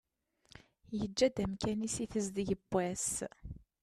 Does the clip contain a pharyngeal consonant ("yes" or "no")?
no